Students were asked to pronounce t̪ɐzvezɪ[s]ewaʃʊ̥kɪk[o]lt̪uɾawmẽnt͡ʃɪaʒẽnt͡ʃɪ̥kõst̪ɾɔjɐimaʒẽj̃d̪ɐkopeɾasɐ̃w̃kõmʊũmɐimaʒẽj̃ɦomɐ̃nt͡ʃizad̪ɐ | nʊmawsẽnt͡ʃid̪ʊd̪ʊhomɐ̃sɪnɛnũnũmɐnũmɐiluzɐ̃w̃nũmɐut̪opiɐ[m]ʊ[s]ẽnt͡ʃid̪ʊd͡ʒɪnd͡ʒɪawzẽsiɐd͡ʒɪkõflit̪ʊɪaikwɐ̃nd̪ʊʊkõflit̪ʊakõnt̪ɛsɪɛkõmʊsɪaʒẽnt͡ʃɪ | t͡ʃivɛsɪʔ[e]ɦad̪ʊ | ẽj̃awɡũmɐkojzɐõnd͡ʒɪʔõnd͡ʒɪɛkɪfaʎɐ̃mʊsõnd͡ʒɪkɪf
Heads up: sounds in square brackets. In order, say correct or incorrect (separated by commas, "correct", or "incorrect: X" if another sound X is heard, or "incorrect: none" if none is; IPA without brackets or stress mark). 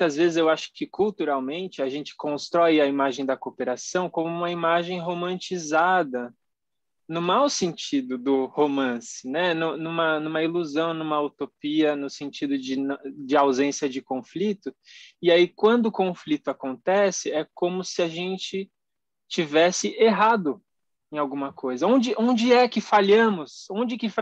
incorrect: z, incorrect: u, incorrect: n, correct, correct